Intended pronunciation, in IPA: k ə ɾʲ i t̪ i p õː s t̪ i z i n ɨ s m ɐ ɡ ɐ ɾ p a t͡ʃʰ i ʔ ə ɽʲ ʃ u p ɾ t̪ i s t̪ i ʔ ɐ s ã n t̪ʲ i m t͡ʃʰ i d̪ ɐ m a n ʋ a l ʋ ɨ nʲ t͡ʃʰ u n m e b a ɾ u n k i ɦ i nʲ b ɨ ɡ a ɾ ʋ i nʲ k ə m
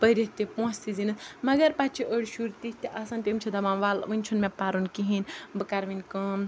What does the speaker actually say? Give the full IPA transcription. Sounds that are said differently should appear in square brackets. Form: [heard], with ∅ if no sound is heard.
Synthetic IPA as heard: [p] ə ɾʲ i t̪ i p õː s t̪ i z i n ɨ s m ɐ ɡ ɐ ɾ p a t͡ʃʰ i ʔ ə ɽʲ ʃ u [∅] ɾ t̪ i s t̪ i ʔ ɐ s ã n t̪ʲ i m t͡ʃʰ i d̪ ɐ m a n ʋ a l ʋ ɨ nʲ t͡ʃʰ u n m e [p] a ɾ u n k i ɦ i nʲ b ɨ [k] a ɾ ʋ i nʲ k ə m